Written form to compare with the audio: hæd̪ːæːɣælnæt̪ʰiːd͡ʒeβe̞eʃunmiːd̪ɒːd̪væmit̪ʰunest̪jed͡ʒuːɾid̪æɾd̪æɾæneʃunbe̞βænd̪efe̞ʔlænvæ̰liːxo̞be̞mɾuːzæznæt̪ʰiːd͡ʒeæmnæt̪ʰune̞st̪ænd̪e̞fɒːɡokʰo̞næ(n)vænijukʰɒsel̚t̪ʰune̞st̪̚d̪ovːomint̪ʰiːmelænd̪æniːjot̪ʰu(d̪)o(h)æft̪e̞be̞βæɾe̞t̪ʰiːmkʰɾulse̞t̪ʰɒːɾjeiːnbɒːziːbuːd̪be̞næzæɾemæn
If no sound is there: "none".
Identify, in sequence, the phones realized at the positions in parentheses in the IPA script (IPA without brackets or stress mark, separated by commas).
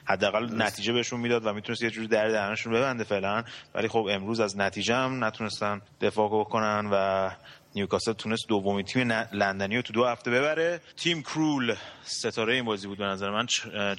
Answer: n, d̪, h